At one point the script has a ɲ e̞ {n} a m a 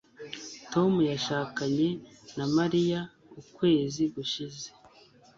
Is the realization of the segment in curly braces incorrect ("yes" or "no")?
no